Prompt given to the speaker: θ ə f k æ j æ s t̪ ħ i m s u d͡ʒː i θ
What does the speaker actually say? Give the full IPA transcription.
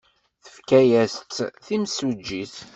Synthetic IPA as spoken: θ ə f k æ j æ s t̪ θ i m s u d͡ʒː i θ

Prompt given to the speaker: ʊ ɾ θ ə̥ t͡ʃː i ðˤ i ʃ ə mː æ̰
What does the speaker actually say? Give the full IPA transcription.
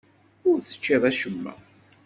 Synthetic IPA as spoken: ʊ ɾ θ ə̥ t͡ʃː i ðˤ æ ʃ ə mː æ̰

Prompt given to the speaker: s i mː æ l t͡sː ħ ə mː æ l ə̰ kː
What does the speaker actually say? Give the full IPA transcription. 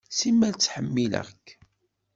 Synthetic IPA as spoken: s i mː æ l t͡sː ħ ə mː i l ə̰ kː

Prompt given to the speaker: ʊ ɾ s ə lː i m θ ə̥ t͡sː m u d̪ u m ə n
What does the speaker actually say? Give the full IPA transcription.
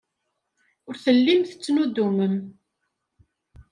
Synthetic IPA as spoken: ʊ ɾ θ ə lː i m θ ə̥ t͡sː n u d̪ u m ə m

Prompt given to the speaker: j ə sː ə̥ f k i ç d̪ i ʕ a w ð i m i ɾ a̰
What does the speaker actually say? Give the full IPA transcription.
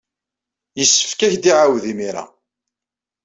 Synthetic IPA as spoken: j ə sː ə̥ f k æ ç d̪ i ʕ a w ð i m i ɾ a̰

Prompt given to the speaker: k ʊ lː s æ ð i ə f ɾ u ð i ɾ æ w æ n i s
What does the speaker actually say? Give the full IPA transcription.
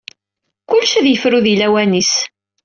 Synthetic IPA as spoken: k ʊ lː ʃ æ ð j ə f ɾ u ð i l æ w æ n i s

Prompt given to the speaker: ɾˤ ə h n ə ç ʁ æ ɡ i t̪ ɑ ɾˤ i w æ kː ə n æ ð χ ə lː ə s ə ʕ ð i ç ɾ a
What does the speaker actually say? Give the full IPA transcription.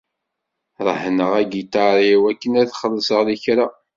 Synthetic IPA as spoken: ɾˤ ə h n ə ʁ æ ɡ i t̪ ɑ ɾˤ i w æ kː ə n æ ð χ ə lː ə s ə ʁ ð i ç ɾ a

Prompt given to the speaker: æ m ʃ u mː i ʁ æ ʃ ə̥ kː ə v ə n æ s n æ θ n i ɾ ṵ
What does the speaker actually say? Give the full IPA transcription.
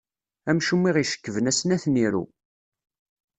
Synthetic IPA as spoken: æ m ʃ u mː i ʁ i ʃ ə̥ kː ə v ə n æ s n æ θ n i ɾ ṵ

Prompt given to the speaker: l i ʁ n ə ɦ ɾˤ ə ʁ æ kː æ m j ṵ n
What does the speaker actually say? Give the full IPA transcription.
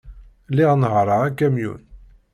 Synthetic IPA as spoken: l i ʁ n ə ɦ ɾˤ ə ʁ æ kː æ m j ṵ n

